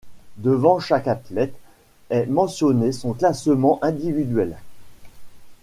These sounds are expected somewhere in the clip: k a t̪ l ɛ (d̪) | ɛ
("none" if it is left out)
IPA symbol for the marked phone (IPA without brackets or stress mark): t̪